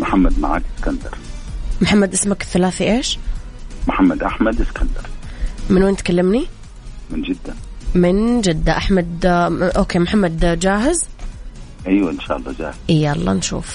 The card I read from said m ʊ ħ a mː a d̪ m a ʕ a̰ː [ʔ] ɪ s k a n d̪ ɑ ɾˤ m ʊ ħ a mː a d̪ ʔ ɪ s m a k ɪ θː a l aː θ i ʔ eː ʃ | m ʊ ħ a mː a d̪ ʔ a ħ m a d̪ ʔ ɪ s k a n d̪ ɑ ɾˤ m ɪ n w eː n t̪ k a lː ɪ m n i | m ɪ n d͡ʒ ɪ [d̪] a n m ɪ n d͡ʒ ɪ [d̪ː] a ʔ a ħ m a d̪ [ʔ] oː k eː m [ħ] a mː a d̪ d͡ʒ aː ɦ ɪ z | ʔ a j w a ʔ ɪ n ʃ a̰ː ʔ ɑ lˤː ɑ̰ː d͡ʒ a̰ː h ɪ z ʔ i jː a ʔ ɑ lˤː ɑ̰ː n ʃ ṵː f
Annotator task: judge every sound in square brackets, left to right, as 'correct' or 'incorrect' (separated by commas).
incorrect, incorrect, correct, correct, correct